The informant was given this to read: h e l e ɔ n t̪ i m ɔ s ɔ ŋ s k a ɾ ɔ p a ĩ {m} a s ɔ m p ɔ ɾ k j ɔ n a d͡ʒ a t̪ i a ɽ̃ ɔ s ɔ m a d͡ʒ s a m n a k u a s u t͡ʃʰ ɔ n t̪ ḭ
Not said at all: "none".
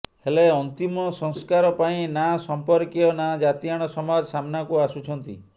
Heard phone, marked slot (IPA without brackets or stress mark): n